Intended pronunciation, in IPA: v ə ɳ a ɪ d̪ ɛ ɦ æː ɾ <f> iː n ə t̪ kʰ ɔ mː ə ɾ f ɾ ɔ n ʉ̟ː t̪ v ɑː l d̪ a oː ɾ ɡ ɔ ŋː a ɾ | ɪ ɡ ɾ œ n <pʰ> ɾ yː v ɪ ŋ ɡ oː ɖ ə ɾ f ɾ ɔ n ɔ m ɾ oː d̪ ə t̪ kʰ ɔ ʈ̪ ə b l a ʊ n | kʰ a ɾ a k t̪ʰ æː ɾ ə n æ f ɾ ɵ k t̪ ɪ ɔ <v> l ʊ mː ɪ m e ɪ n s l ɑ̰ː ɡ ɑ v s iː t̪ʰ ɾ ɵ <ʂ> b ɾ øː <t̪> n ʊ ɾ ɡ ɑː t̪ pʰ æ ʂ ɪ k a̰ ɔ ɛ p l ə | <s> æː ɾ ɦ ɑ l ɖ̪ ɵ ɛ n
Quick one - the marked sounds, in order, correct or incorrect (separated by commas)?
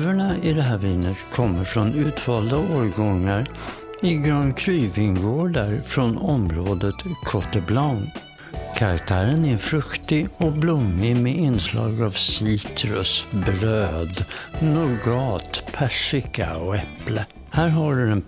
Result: incorrect, incorrect, incorrect, incorrect, incorrect, incorrect